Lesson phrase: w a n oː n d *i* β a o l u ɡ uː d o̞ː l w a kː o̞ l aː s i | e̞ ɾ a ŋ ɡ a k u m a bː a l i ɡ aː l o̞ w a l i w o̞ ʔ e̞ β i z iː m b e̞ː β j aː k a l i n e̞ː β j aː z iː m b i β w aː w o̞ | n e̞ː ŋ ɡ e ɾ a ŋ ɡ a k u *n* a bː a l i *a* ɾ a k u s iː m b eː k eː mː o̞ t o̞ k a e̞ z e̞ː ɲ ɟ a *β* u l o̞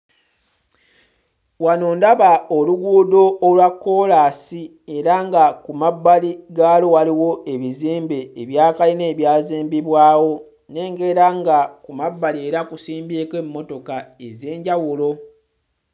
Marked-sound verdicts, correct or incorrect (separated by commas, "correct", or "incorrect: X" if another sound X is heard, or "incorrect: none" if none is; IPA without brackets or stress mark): incorrect: a, incorrect: m, incorrect: e, incorrect: w